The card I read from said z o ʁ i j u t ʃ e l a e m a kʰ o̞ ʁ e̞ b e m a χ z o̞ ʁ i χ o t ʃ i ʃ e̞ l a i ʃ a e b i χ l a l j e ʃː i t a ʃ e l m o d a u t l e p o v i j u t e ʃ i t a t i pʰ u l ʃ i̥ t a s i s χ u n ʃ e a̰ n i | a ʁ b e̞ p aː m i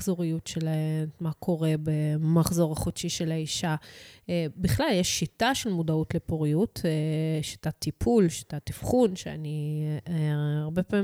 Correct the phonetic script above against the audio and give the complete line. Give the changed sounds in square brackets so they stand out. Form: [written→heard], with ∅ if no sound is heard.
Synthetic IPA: z o ʁ i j u t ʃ e l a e m a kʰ o̞ ʁ e̞ b e m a χ z o̞ ʁ [i→a] χ o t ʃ i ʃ e̞ l a i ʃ a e b i χ l a l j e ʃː i t a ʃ e l m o d a u t l e p o [v→ʁ] i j u t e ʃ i t a t i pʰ u l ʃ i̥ t a [s→t] i [s→f] χ u n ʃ e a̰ n i | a ʁ b e̞ p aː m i